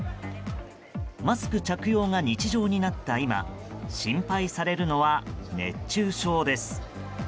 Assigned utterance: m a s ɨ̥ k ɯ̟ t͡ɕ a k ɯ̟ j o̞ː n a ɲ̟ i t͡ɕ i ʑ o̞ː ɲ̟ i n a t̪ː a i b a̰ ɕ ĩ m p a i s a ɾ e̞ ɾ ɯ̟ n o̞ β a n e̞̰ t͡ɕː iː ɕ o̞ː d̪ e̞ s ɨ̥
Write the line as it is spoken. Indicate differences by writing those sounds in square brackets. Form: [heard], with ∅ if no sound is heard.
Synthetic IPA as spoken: m a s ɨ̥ k ɯ̟ t͡ɕ a k ɯ̟ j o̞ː [ŋ] a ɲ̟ i t͡ɕ i ʑ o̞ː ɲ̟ i n a t̪ː a i [m] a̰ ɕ ĩ m p a i s a ɾ e̞ ɾ ɯ̟ n o̞ β a n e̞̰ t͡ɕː [ɨː] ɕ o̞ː d̪ e̞ s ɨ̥

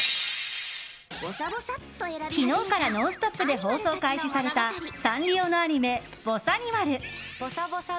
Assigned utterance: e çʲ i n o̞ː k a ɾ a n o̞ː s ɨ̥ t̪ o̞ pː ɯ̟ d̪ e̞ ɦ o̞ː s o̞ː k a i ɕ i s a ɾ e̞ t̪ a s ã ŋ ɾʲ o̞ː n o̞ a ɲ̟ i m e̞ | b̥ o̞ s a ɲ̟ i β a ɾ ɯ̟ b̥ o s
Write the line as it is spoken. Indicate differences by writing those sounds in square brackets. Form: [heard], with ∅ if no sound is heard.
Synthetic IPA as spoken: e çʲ i n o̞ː k a ɾ a n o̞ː s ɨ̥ t̪ o̞ pː ɯ̟ d̪ e̞ ɦ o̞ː s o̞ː k a i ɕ i s a ɾ e̞ t̪ a s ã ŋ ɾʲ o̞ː n o̞ a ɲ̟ i m e̞ | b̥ o̞ s a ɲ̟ i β a ɾ ɯ̟ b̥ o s

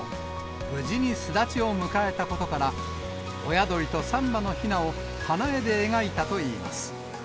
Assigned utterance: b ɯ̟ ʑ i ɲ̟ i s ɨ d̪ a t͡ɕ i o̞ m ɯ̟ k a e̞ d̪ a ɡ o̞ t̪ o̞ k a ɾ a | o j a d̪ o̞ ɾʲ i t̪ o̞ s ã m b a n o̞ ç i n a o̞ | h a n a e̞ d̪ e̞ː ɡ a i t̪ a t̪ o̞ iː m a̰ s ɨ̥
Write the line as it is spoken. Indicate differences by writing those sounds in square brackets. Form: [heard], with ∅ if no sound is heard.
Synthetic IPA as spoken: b ɯ̟ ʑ i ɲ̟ i s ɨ d̪ a t͡ɕ i o̞ m ɯ̟ k a e̞ [t̪] a [k] o̞ t̪ o̞ k a ɾ a | o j a d̪ o̞ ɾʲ i t̪ o̞ s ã m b a n o̞ ç i n a o̞ | h a n a e̞ d̪ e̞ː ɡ a i t̪ a t̪ o̞ iː m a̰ s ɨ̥

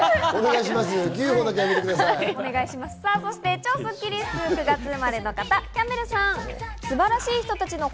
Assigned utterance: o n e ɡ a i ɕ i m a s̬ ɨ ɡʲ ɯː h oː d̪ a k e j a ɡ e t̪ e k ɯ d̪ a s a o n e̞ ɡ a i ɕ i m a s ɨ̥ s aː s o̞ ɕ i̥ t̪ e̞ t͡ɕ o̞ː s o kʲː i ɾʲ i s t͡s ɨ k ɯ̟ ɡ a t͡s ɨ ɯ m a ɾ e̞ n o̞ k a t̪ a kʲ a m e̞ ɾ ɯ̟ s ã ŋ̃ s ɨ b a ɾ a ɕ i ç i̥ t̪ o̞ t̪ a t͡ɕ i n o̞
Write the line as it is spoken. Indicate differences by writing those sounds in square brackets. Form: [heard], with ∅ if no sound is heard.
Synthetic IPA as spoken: o n e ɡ a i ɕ i m a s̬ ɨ ɡʲ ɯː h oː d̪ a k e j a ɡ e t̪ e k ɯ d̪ a s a o n e̞ ɡ a i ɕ i m a s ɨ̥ s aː s o̞ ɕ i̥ t̪ e̞ t͡ɕ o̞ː s o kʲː i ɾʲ i s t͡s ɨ k ɯ̟ ɡ a t͡s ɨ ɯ m a ɾ e̞ n o̞ k a t̪ a kʲ a m e̞ ɾ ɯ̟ s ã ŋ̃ s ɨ b a ɾ a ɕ [iː] ç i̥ t̪ o̞ t̪ a t͡ɕ i n o̞

